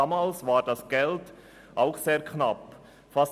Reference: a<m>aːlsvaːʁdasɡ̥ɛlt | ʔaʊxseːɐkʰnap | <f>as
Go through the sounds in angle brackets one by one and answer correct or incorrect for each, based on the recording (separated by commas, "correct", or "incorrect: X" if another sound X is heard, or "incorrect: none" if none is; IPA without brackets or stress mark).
correct, correct